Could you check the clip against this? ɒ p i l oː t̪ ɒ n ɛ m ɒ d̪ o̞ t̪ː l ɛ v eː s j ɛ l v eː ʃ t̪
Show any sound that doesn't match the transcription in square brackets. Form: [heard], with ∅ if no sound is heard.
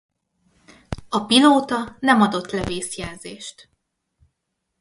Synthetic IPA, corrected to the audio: ɒ p i l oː t̪ ɒ n ɛ m ɒ d̪ o̞ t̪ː l ɛ v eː s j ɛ l [z] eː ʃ t̪